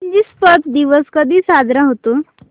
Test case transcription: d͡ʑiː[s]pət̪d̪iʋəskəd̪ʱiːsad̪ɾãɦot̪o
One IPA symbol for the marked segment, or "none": s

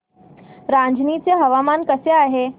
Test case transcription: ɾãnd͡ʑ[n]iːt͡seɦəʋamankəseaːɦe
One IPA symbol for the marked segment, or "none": n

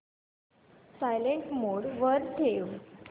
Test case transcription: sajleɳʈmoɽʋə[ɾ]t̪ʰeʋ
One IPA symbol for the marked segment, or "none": ɾ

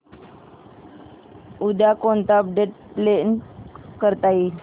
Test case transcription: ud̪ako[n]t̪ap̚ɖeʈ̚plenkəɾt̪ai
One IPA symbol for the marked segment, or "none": n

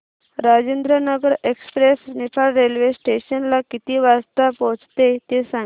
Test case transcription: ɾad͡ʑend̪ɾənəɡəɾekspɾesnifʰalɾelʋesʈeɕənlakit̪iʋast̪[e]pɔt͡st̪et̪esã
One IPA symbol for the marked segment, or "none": a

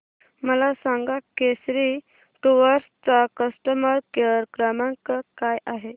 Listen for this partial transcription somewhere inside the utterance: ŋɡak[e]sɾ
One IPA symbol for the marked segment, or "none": e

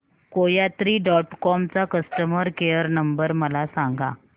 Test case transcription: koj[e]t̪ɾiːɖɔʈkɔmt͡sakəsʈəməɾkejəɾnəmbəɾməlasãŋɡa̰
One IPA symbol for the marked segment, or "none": a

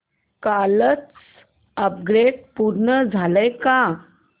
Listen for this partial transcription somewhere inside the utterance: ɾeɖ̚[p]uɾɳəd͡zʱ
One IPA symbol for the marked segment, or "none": p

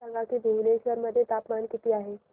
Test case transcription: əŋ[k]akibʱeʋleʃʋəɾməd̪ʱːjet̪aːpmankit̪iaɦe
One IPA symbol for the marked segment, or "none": ɡ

